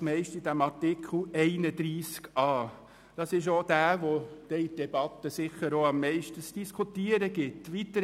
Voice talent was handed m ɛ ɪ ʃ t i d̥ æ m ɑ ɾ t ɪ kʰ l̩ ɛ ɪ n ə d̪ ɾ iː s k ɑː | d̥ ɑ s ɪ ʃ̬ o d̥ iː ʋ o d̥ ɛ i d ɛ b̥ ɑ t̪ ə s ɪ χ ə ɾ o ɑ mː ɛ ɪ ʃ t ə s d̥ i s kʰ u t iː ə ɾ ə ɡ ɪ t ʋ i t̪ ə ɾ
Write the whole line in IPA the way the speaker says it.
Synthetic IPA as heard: m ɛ ɪ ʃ t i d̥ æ m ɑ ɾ t ɪ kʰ l̩ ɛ ɪ n ə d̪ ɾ iː s k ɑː | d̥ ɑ s ɪ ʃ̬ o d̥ æː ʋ o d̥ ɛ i d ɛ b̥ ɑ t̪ ə s ɪ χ ə ɾ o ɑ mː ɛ ɪ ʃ t ə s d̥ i s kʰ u t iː ə ɾ ə ɡ ɪ t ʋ i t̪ ə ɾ